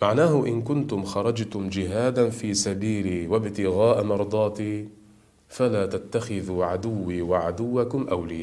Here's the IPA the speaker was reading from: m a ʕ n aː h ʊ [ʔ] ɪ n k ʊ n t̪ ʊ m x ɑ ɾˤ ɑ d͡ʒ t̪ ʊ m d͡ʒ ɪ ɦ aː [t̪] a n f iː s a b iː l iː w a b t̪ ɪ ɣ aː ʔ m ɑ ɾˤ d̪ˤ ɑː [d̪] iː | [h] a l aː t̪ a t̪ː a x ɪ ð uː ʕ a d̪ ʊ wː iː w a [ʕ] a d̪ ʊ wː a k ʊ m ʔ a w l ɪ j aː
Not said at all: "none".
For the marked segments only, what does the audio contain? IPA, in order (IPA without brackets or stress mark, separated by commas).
ʔ, d̪, t̪, f, ʕ